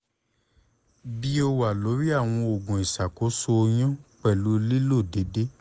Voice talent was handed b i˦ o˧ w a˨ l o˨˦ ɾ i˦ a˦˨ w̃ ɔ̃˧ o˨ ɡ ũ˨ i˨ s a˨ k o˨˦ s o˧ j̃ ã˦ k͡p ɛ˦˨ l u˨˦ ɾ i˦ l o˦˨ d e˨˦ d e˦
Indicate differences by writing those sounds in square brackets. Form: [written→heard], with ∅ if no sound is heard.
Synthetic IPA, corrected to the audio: b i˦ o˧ w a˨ l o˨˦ ɾ i˦ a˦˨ w̃ ɔ̃˧ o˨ ɡ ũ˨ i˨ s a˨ k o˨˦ s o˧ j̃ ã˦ k͡p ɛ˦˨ l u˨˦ [ɾ→l] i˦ l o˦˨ d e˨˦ d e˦